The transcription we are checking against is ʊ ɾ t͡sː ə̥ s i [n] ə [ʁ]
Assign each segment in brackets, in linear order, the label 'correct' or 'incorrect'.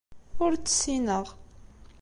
correct, correct

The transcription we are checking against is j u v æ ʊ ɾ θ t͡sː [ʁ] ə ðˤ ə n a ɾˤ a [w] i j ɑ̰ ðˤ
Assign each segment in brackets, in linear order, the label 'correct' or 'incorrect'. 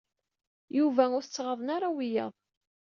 correct, correct

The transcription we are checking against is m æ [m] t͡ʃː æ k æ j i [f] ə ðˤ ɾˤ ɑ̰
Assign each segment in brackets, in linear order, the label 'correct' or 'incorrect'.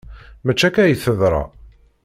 incorrect: none, incorrect: θ

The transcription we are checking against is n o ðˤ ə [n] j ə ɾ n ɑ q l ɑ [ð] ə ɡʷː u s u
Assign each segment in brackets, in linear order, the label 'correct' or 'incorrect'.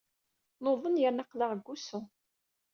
correct, incorrect: ʁ

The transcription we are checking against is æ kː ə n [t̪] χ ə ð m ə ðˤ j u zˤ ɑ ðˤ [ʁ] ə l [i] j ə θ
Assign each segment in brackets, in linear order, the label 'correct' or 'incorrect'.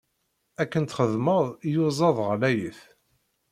correct, correct, incorrect: æ

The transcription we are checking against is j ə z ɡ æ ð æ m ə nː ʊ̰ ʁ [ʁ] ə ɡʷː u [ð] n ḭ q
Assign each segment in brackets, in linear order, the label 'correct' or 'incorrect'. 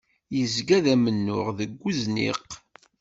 incorrect: ð, incorrect: z

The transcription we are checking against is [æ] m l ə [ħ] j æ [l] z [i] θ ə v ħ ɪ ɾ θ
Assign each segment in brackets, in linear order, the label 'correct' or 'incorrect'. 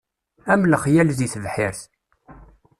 correct, incorrect: χ, correct, correct

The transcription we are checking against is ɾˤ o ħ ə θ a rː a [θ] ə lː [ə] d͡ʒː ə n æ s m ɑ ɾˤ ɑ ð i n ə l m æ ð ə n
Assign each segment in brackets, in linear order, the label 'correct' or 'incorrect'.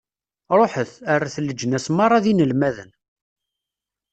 correct, correct

